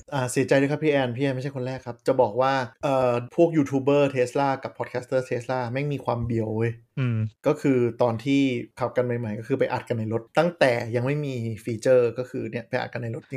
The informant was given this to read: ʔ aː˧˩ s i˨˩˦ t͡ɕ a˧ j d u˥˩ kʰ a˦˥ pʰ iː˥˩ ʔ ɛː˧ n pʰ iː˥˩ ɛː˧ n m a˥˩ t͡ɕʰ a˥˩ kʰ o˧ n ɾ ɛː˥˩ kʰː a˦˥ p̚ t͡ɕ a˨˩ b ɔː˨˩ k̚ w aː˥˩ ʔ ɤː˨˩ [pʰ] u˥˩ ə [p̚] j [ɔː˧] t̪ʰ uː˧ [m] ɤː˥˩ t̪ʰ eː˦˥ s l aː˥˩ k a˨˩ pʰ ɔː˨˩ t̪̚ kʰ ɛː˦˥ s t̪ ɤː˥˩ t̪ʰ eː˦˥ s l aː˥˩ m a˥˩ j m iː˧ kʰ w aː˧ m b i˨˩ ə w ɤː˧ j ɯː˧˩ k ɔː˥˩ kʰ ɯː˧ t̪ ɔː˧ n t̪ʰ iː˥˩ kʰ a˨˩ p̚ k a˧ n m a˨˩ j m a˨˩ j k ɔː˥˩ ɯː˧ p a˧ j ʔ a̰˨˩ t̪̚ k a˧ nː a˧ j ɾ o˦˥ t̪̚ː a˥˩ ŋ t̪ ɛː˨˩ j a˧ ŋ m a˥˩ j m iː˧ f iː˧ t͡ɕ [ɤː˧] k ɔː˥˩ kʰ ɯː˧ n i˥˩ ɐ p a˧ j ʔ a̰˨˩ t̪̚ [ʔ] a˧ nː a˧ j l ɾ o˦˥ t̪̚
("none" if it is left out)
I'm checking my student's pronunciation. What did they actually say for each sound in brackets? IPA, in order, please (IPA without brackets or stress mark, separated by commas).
pʰ, k̚, uː˧, b, ɤː˥˩, k